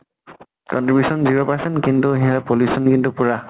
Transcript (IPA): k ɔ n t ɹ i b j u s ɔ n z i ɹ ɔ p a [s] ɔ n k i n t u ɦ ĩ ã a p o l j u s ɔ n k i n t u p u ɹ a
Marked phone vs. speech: correct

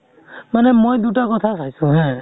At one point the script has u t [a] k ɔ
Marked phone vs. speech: correct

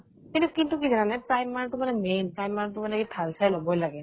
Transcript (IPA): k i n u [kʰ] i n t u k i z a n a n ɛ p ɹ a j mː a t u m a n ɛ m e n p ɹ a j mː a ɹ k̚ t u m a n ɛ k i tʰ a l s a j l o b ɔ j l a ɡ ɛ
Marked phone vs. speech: incorrect: k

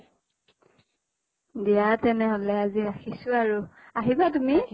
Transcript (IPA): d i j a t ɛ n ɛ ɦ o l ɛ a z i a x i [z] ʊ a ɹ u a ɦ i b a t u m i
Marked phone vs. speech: incorrect: s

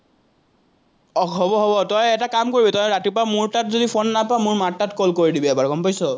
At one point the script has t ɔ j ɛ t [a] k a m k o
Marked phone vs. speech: correct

